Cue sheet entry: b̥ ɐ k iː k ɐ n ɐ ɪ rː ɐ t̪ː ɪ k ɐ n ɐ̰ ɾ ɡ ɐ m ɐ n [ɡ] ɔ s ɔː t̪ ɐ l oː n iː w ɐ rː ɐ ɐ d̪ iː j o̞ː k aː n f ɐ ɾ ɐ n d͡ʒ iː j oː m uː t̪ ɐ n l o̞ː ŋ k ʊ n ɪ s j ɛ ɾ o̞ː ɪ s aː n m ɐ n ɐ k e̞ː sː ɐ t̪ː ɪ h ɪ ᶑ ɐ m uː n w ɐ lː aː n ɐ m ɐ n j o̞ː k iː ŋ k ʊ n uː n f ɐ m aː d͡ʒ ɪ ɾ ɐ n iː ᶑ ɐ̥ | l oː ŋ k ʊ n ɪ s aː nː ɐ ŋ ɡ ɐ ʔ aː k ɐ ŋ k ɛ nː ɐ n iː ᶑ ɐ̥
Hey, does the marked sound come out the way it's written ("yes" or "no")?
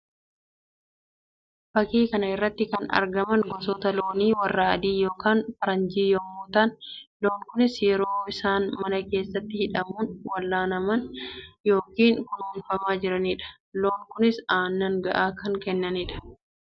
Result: yes